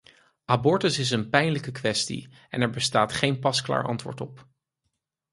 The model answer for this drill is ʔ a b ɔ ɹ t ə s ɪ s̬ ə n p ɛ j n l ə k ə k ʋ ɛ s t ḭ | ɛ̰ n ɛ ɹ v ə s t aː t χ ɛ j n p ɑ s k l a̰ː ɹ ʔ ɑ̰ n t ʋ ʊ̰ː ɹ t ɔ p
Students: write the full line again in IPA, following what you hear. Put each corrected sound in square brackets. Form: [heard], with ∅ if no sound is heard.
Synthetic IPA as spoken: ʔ a b ɔ ɹ t ə s ɪ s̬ ə n p ɛ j n l ə k ə k ʋ ɛ s t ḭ | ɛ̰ n ɛ ɹ [b] ə s t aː t χ [e] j n p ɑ s k l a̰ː ɹ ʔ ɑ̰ n t ʋ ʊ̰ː ɹ t ɔ p